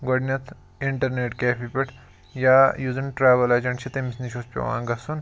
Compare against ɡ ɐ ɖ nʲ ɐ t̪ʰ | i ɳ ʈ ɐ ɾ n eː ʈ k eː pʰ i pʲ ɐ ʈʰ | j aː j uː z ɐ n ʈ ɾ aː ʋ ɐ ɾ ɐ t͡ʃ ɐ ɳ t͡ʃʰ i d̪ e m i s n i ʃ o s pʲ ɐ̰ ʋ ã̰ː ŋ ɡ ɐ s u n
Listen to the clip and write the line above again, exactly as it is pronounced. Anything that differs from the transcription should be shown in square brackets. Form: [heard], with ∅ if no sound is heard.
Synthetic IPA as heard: ɡ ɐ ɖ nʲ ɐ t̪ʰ | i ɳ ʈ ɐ ɾ n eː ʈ k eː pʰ i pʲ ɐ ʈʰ | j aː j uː z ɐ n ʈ ɾ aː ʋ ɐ [l] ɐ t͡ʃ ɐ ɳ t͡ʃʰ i [t̪] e m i s n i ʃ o s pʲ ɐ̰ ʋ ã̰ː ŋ ɡ ɐ s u n